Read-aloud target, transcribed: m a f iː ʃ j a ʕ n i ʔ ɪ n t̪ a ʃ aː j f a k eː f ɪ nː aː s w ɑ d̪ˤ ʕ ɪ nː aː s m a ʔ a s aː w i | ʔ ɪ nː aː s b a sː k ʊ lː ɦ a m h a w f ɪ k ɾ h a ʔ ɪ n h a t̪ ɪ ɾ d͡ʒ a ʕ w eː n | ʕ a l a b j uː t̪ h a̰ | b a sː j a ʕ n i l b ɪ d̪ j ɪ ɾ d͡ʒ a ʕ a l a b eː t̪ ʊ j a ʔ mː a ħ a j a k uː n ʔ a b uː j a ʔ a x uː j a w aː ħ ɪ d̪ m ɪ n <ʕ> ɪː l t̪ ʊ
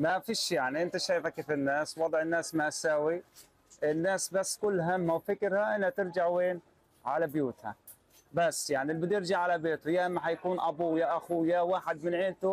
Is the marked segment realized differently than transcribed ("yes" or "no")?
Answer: no